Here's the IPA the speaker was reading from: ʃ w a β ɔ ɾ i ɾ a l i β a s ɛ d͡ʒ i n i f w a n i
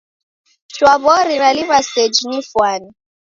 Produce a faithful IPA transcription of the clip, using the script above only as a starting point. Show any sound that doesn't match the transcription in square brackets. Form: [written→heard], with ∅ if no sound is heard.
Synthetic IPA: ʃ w a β ɔ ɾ i ɾ a l i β a s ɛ d͡ʒ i n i f w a n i